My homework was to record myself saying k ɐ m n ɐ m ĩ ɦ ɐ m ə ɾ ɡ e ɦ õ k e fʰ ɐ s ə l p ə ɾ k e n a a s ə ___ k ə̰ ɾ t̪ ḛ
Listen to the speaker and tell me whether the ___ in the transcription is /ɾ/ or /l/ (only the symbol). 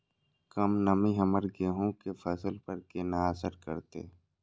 ɾ